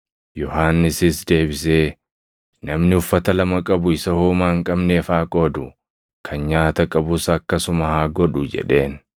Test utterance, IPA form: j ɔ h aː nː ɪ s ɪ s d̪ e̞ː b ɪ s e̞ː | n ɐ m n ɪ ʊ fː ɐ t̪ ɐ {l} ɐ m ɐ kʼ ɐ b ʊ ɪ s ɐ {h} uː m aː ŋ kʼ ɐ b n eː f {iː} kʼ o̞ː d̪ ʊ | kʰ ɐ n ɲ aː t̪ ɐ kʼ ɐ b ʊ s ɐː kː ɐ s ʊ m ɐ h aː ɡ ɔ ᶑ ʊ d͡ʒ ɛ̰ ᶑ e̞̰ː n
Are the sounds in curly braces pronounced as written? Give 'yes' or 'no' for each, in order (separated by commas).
yes, yes, no